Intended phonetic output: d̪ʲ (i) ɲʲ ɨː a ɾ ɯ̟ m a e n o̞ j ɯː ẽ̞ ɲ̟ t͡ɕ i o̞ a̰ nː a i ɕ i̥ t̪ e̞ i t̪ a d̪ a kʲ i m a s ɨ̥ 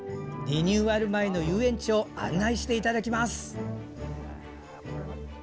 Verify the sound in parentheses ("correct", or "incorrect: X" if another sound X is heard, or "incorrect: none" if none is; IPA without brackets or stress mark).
correct